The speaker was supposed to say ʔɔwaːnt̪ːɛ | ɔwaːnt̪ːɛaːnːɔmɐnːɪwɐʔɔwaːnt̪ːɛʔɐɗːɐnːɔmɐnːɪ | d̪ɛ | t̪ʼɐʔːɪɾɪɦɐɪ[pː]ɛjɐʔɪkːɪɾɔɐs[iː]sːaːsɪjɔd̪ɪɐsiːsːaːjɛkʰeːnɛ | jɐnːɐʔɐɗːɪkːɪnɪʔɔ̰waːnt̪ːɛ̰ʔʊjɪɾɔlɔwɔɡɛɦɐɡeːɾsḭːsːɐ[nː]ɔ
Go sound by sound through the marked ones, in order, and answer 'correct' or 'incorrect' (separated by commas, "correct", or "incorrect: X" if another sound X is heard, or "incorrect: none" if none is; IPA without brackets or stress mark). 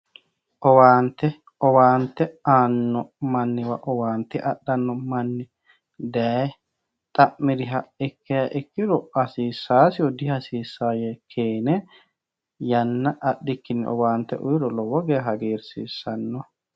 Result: incorrect: kː, correct, correct